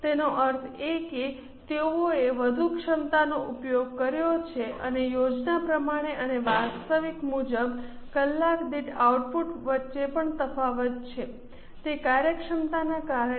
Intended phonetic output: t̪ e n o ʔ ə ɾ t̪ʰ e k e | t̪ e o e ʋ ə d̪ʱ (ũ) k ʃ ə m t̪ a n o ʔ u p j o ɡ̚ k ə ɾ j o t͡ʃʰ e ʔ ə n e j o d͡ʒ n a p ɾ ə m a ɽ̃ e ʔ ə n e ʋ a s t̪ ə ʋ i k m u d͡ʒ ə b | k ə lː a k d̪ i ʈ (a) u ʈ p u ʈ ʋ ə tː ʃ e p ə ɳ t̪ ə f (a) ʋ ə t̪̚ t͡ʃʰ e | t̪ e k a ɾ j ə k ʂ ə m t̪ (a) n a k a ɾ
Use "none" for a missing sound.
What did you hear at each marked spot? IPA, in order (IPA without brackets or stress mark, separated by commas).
u, a, a, a